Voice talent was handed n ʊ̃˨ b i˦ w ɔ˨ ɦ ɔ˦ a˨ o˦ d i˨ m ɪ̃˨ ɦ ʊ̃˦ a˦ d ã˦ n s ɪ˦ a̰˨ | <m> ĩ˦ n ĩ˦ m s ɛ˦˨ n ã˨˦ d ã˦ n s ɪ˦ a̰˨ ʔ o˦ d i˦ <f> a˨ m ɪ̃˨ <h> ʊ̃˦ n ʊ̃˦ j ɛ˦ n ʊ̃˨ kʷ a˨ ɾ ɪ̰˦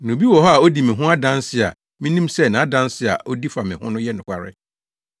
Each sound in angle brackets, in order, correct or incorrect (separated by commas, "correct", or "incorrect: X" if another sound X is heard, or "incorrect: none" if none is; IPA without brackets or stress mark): correct, correct, correct